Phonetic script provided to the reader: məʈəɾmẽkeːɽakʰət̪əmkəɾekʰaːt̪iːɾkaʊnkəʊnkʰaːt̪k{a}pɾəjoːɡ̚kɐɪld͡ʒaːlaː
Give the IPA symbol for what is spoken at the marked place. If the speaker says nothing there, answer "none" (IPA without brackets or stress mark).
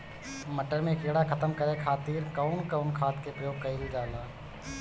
e